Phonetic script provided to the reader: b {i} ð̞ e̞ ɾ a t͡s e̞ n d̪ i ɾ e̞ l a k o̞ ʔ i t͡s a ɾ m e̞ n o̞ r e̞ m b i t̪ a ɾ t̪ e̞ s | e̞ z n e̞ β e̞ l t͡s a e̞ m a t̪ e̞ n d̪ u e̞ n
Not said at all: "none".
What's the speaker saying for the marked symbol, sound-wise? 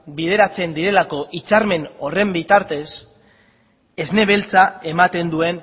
i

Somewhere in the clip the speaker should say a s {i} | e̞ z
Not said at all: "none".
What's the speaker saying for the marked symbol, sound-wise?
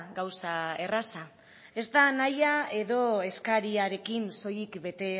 a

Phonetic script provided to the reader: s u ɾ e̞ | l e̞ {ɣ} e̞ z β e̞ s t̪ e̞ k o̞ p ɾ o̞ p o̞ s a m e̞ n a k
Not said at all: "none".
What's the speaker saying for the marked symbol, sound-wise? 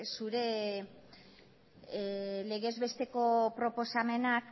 ɣ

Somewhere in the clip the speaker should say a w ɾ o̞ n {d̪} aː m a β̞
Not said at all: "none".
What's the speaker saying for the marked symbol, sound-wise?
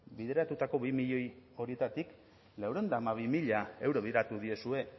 d̪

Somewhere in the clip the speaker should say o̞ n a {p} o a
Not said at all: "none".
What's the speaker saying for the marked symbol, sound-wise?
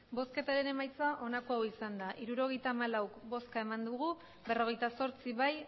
k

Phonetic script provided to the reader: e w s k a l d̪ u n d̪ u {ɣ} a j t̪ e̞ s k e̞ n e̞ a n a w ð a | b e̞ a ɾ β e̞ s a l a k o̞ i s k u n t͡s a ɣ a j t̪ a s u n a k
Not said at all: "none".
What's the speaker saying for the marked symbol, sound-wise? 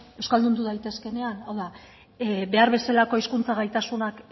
ð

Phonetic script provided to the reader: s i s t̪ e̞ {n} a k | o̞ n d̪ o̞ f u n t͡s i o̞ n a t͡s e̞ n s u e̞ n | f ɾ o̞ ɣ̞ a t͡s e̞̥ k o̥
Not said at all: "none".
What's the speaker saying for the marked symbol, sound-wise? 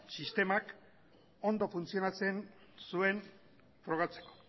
m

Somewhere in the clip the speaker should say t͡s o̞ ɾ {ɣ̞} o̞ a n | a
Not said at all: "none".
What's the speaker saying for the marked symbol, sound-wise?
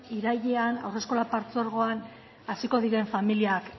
ɣ̞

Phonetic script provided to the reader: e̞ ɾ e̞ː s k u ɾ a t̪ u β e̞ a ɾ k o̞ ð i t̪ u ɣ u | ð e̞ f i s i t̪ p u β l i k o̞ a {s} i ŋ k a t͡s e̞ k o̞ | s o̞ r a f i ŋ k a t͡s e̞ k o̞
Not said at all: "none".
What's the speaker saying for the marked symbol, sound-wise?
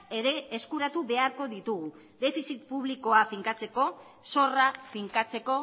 f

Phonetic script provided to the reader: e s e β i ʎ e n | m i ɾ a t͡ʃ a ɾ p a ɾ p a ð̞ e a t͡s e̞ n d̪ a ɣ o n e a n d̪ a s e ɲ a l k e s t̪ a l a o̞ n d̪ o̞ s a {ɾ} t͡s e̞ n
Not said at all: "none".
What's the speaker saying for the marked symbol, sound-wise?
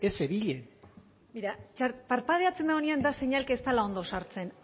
ɾ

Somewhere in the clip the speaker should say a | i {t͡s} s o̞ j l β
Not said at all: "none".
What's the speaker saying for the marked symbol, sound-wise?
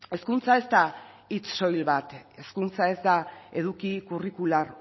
t͡s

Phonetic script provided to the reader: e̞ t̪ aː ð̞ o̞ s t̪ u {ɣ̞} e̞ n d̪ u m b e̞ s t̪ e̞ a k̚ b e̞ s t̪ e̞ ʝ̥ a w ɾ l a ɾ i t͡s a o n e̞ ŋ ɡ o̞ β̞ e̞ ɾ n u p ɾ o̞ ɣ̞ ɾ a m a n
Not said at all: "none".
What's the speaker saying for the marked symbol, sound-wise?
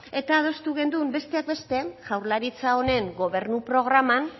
ɣ̞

